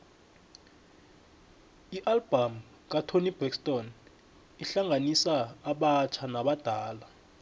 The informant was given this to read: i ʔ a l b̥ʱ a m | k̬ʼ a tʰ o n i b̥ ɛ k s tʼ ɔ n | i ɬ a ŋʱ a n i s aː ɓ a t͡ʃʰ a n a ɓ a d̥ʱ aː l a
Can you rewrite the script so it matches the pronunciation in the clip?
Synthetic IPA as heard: i ʔ a l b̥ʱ a m | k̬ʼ a tʰ o n i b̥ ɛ k s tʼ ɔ n | i ɬ a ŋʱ a n i s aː ɓ a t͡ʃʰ a n a ɓ a d̥ʱ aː l a